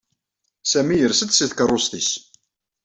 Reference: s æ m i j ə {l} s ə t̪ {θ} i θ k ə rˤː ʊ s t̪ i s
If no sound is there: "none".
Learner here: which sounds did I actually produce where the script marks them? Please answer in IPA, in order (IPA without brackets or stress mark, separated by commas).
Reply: ɾ, s